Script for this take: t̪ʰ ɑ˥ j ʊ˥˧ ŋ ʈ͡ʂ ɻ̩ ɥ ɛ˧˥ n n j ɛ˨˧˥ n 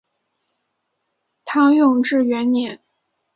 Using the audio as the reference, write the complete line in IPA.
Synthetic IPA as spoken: t̪ʰ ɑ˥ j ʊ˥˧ ŋ ʈ͡ʂ ɻ̩ ɥ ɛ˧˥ n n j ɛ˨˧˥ n

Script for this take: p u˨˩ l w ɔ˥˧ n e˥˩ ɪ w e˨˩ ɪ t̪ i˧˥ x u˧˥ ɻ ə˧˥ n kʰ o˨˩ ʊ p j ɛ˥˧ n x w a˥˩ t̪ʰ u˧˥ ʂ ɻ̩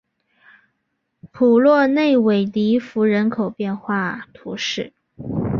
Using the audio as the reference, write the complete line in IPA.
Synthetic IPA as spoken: pʰ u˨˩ l w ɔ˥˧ n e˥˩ ɪ w e˨˩ ɪ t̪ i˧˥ f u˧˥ ɻ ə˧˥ n kʰ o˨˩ ʊ p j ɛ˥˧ n x w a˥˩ t̪ʰ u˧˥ ʂ ɻ̩

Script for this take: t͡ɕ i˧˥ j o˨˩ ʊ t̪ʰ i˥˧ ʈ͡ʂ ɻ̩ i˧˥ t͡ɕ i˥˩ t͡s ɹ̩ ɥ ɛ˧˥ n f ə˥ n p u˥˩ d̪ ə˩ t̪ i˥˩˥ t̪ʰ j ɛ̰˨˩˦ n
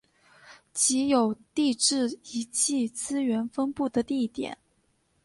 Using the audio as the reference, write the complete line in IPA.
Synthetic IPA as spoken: t͡ɕ i˧˥ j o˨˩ ʊ t̪ i˥˧ ʈ͡ʂ ɻ̩ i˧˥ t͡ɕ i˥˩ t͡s ɹ̩ ɥ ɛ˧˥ n f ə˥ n p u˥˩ d̪ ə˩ t̪ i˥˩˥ t̪ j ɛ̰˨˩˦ n

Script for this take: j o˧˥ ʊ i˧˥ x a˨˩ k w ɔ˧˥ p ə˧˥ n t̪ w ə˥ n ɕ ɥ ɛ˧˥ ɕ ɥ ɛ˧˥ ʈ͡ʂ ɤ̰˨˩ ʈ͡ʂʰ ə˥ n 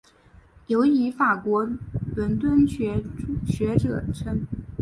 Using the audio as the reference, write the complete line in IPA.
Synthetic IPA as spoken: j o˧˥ ʊ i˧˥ f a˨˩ k w ɔ˧˥ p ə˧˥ n t̪ w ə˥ n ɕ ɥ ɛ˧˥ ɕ ɥ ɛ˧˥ ʈ͡ʂ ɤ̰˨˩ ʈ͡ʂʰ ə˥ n

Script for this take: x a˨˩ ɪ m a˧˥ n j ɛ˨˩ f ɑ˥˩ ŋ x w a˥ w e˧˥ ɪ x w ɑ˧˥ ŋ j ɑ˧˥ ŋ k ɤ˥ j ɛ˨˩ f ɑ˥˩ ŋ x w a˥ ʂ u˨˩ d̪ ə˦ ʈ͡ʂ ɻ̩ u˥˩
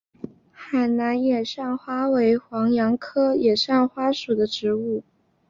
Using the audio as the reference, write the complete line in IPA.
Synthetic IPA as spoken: x a˨˩ ɪ n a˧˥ n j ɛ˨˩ ʂ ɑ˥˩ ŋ x w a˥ w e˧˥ ɪ x w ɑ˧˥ ŋ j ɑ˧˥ ŋ kʰ ɤ˥ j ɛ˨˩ ʂ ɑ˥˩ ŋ x w a˥ ʂ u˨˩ d̪ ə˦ ʈ͡ʂ ɻ̩ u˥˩

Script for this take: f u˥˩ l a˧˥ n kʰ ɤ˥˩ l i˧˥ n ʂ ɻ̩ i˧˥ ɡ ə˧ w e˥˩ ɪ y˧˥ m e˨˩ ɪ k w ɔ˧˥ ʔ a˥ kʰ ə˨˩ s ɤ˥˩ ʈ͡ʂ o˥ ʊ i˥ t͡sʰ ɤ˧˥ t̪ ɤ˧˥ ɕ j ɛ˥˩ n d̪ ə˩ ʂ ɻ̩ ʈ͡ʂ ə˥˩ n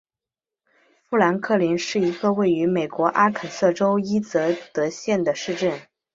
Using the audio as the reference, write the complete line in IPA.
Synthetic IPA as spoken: f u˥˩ l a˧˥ n kʰ ɤ˥˩ l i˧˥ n ʂ ɻ̩ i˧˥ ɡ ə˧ w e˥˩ ɪ y˧˥ m e˨˩ ɪ k w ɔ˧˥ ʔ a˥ kʰ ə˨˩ s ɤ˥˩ ʈ͡ʂ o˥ ʊ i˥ t͡s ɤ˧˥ t̪ ɤ˧˥ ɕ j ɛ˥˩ n d̪ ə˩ ʂ ɻ̩ ʈ͡ʂ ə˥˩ n

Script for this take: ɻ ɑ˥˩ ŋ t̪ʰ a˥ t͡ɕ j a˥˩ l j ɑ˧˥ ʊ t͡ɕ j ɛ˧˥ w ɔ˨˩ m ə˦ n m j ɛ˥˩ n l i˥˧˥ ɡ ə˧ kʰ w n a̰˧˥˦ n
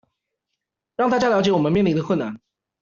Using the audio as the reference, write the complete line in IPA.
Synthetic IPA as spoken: ɻ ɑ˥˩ ŋ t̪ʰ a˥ t͡ɕ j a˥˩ l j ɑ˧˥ ʊ t͡ɕ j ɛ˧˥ w ɔ˨˩ m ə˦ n m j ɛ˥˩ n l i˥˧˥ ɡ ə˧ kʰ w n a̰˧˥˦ n

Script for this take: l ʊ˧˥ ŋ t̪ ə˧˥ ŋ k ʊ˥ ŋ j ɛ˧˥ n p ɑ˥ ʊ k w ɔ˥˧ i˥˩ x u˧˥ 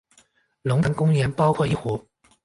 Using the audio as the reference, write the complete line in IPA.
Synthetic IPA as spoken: l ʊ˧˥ ŋ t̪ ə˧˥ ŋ k ʊ˥ ŋ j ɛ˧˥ n p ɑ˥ ʊ kʰ w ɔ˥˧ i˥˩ x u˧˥

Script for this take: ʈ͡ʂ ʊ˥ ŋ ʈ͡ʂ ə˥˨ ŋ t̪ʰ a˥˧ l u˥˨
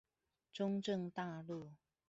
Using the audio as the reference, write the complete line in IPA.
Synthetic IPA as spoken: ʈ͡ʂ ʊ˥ ŋ ʈ͡ʂ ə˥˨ ŋ t̪ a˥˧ l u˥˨

